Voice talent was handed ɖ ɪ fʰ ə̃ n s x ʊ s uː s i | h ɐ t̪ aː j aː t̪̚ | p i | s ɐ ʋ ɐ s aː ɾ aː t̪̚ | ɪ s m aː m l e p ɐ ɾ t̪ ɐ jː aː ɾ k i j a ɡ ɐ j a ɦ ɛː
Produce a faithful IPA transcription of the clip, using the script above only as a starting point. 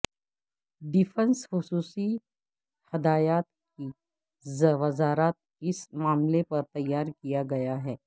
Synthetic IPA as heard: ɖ ɪ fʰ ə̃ n s x ʊ s uː s i | h ɐ d̪ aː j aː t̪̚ | k i | z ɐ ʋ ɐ z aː ɾ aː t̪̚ | ɪ s m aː m l e p ɐ ɾ t̪ ɐ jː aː ɾ k i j a ɡ ɐ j a ɦ ɛː